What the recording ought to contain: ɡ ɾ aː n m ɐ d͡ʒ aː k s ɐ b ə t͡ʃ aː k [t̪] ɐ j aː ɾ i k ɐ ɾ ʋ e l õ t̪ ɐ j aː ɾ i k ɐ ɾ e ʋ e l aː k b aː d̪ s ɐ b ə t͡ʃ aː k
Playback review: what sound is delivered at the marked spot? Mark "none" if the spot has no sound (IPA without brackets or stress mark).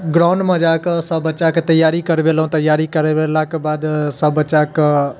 t̪